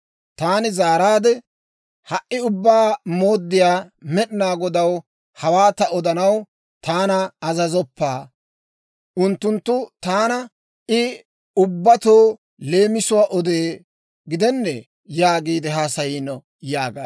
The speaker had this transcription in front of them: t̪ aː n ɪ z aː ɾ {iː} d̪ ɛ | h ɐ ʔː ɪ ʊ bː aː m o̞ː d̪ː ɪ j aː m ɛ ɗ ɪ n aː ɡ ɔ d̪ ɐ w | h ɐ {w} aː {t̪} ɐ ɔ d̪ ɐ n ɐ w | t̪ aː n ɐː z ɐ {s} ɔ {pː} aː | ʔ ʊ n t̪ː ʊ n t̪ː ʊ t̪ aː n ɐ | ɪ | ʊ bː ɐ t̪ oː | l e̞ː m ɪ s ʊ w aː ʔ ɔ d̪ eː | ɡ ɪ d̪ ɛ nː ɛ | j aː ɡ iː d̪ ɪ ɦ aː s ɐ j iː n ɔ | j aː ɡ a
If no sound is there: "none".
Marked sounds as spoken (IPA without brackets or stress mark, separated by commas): aː, w, t̪, z, pː